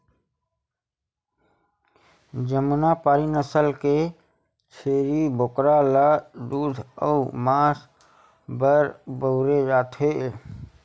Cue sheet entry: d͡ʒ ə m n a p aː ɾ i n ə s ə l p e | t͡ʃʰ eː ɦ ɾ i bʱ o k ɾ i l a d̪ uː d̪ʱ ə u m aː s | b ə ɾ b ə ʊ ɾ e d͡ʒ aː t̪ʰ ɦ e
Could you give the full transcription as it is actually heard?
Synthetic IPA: d͡ʒ ə m n a p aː ɾ i n ə s ə l k e | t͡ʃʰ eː ɾ i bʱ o k ɾ a l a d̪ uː d̪ʱ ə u m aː s | b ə ɾ b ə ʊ ɾ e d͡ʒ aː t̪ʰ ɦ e